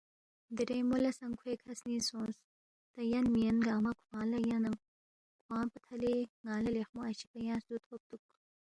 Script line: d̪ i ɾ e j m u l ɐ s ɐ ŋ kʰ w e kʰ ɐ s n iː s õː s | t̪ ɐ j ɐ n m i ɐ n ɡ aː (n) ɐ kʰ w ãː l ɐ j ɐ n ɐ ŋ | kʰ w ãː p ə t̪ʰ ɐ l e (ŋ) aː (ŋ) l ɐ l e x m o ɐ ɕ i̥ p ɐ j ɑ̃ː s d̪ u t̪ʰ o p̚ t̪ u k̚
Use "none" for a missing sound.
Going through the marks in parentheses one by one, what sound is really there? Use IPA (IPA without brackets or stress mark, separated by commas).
m, ŋ, none